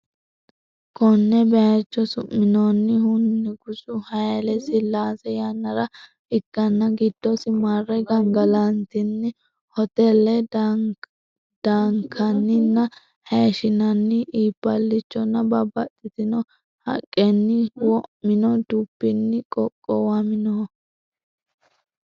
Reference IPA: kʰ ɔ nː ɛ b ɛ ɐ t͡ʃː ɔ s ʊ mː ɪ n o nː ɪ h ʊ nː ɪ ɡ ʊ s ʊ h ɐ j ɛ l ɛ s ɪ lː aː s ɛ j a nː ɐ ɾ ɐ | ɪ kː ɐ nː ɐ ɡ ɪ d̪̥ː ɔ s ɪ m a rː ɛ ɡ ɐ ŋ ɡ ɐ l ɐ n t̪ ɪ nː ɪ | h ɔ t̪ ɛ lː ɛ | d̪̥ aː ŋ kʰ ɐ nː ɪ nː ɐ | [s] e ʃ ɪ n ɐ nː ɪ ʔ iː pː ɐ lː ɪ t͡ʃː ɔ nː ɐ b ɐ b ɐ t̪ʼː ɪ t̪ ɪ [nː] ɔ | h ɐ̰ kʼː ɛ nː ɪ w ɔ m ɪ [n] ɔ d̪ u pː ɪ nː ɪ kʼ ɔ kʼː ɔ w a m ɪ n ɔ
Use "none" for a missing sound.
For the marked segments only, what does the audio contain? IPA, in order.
h, n, n

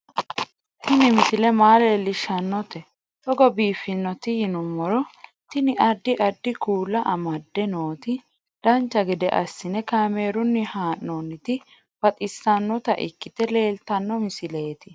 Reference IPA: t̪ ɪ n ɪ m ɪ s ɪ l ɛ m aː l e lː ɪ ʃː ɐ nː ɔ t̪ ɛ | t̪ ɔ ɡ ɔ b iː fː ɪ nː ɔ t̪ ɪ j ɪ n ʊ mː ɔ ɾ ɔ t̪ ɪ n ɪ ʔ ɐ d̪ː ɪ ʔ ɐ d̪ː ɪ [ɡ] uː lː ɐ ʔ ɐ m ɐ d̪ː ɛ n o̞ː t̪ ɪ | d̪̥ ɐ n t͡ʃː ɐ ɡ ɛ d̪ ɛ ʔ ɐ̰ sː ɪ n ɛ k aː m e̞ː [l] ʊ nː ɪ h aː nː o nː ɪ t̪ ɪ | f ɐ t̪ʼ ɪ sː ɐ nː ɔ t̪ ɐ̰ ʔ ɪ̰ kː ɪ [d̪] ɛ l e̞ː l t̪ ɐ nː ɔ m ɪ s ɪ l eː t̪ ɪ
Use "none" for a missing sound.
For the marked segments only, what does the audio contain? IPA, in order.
k, ɾ, t̪

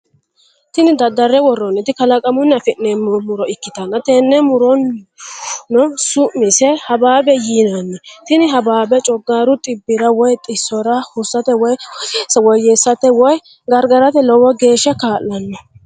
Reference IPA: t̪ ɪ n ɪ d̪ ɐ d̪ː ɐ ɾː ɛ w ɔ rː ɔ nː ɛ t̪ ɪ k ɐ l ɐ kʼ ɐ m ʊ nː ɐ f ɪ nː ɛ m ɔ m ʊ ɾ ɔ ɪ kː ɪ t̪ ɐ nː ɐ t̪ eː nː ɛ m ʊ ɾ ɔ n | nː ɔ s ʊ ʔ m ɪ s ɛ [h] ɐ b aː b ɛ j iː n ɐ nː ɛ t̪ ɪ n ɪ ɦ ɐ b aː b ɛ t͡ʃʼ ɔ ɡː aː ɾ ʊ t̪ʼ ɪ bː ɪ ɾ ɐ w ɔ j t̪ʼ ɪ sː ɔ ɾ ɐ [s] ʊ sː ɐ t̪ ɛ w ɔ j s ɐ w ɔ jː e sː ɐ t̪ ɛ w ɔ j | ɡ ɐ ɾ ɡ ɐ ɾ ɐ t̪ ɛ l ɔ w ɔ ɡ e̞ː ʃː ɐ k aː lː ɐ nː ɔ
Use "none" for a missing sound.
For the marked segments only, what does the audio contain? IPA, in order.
h, h

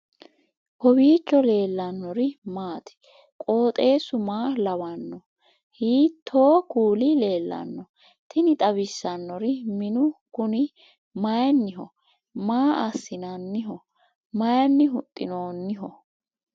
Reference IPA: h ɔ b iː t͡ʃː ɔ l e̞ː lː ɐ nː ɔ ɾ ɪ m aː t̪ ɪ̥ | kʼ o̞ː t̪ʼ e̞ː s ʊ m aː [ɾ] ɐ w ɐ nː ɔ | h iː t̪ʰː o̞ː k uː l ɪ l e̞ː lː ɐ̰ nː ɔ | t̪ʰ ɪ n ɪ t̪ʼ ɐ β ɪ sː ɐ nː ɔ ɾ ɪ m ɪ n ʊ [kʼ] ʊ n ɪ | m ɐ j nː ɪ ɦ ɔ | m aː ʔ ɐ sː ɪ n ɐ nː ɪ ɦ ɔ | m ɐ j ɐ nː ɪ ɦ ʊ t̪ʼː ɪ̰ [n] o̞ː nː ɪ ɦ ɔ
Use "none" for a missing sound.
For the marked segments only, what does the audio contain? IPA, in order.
l, k, n

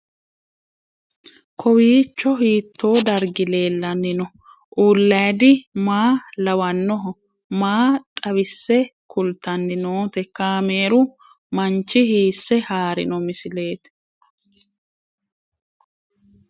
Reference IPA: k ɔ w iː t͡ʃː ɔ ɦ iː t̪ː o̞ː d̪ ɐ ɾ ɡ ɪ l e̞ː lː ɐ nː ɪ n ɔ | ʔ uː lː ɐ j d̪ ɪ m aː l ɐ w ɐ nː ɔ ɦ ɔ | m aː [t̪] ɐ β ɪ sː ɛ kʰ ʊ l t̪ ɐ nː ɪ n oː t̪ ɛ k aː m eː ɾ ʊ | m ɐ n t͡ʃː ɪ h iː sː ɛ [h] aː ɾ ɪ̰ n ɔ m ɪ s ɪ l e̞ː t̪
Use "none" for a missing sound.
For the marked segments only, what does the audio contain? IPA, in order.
t̪ʼ, h

